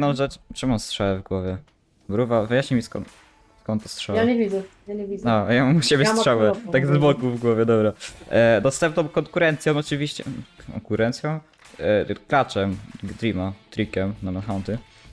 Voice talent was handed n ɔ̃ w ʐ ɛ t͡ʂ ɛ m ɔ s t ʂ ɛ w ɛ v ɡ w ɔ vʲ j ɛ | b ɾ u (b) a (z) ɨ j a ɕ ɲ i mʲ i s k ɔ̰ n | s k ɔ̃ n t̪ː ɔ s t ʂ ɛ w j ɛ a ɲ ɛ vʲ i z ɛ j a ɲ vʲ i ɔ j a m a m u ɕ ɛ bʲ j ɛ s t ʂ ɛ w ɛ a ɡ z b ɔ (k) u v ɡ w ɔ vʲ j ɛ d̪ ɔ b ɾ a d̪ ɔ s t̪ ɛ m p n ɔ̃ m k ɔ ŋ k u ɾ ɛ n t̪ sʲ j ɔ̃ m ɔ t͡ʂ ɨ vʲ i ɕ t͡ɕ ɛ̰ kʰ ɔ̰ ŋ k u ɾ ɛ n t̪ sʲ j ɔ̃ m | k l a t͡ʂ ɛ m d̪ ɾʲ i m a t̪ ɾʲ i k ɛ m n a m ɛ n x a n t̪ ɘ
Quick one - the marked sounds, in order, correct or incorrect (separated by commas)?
incorrect, incorrect, correct